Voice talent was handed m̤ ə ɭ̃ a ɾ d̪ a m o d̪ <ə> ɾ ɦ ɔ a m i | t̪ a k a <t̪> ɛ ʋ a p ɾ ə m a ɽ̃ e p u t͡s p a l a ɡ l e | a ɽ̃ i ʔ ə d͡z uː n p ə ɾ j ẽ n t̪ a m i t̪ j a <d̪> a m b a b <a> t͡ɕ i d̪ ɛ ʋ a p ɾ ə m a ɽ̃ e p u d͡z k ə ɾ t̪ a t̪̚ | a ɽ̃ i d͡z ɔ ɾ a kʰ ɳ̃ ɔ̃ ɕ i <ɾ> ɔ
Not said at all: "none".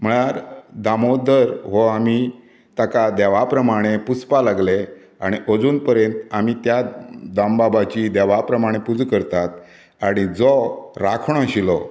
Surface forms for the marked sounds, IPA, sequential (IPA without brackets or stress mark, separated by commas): ə, d̪, d̪, a, l